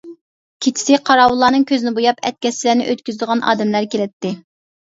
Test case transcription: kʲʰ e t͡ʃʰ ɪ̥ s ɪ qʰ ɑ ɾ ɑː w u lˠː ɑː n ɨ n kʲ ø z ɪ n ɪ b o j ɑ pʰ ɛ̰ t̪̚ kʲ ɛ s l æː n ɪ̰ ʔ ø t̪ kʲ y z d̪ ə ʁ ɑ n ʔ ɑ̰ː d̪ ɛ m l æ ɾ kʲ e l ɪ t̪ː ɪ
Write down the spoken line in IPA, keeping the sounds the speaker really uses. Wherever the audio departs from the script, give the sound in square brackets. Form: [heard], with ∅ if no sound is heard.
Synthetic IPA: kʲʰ e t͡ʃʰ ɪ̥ s ɪ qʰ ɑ ɾ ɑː w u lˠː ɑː n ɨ [ŋ] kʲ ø z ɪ n ɪ b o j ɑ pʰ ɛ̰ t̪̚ kʲ ɛ s l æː n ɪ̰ ʔ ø t̪ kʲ y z d̪ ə ʁ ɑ n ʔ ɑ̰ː d̪ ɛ m l æ ɾ kʲ e l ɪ t̪ː ɪ